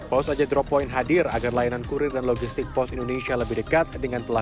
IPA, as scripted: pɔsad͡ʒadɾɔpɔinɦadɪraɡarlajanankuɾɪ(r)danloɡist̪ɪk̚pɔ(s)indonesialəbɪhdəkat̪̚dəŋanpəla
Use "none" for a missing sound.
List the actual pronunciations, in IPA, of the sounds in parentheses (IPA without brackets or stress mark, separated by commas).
r, s